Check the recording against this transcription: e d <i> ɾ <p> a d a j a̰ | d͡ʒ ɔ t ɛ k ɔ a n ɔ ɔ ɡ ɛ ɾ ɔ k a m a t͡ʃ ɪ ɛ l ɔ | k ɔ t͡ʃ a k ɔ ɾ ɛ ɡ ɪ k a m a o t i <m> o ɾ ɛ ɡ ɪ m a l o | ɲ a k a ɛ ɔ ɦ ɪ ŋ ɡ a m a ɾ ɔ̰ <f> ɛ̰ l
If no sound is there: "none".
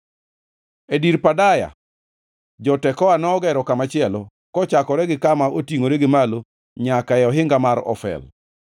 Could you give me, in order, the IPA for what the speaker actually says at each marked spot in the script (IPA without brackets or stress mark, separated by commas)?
i, p, ŋ, f